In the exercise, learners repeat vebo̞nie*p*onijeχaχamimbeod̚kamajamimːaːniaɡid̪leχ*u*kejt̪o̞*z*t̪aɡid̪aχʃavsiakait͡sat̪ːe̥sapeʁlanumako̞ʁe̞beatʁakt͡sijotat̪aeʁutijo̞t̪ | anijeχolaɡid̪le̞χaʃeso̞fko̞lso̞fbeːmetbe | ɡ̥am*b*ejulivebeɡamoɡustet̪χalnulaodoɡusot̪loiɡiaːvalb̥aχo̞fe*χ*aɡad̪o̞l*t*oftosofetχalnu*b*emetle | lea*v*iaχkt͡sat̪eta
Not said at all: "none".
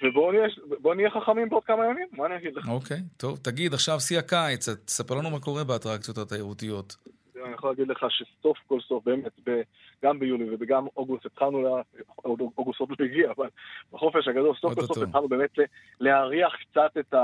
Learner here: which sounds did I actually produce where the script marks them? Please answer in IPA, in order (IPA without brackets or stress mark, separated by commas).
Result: b, o, v, b, ʃ, s, b, ʁ